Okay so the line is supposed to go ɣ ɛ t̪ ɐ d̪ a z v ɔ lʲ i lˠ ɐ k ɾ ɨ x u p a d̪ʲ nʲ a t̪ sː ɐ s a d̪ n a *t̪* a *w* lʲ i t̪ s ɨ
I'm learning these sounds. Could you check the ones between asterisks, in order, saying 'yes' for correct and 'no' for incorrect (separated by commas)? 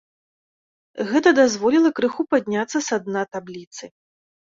yes, no